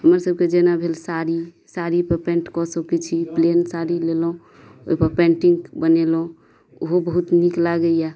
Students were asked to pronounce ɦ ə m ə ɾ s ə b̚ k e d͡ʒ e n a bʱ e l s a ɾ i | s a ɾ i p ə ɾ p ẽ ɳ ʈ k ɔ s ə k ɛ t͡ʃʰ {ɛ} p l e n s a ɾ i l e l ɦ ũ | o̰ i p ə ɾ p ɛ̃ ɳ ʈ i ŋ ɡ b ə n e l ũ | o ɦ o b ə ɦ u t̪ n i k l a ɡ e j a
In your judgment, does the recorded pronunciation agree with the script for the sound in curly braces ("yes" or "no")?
no